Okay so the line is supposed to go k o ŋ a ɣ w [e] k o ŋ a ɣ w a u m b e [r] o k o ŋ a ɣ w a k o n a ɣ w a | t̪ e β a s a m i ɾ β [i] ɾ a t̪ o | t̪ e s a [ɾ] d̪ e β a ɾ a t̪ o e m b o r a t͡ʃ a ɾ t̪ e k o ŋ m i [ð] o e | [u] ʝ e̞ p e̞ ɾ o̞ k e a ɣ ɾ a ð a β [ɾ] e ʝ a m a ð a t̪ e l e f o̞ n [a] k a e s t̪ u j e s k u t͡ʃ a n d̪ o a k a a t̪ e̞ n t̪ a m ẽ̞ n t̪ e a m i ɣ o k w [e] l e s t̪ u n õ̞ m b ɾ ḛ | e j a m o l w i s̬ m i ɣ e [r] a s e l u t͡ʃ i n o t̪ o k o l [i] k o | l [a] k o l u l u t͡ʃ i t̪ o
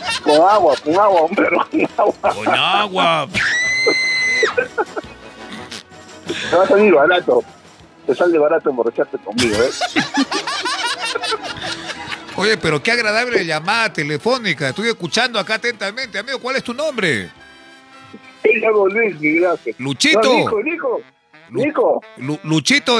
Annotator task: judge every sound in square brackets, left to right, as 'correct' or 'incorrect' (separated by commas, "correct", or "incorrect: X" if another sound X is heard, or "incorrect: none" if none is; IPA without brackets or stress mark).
incorrect: a, incorrect: ɾ, incorrect: a, incorrect: l, incorrect: ɣ, incorrect: o, incorrect: l, incorrect: i, incorrect: a, incorrect: l, correct, incorrect: i